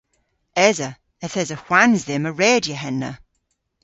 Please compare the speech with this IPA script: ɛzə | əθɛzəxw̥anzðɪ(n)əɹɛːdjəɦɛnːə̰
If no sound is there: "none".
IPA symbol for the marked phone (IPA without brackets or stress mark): m